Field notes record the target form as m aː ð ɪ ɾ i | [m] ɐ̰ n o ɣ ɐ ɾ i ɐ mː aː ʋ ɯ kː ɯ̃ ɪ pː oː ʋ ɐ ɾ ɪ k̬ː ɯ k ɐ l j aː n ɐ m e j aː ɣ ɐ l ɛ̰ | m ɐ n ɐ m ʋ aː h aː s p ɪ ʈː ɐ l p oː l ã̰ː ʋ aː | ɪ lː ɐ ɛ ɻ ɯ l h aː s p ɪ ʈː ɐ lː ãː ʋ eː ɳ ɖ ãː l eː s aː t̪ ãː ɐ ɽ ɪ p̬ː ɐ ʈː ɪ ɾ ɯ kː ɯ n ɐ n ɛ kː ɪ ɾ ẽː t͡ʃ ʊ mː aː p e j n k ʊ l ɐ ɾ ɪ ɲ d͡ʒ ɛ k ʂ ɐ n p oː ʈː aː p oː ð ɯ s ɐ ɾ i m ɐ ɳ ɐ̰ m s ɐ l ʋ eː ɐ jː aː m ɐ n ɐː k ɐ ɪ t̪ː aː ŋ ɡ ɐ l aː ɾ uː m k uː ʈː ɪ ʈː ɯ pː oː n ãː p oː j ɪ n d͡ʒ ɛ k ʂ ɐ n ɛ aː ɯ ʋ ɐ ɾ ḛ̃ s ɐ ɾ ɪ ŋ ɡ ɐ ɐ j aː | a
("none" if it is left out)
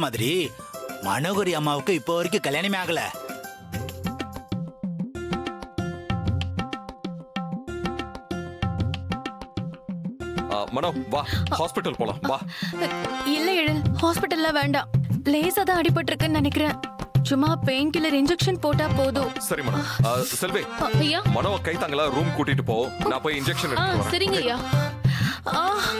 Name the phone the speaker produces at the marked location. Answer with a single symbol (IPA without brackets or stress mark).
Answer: m